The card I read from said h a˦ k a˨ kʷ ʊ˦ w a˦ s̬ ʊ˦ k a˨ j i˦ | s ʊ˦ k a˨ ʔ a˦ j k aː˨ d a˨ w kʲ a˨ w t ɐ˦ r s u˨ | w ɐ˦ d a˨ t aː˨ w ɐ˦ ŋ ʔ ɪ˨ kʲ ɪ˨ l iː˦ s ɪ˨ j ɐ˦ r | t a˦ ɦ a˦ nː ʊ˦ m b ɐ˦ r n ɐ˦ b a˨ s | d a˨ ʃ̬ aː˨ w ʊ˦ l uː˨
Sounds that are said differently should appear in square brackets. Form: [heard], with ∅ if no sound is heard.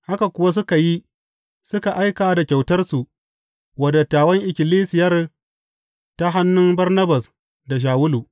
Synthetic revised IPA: h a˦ k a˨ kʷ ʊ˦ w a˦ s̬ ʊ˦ k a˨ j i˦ | s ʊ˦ k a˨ ʔ a˦ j k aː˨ d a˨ [∅] kʲ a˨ w t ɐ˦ r s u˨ | w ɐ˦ d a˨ t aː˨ w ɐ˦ ŋ ʔ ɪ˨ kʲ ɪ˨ l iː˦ s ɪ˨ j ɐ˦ r | t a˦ ɦ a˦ nː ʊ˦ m b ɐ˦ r n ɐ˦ b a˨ s | d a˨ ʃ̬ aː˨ w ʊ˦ l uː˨